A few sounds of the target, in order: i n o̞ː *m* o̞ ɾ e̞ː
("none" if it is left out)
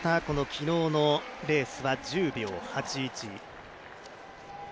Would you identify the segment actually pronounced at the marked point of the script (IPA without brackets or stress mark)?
n